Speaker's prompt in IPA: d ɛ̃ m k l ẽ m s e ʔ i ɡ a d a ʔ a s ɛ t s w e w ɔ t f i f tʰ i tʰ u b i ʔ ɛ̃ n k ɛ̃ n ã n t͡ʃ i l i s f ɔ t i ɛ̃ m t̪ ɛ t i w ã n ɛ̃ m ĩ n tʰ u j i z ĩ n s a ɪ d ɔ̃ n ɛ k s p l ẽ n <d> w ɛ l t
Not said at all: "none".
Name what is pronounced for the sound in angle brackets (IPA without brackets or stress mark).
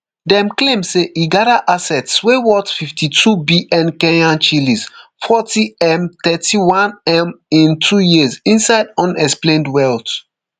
d